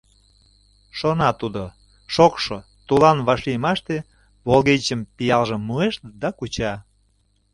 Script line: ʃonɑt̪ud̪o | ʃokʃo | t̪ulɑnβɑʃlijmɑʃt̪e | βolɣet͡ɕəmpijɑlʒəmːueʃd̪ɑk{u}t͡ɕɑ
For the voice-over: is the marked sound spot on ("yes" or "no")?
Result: yes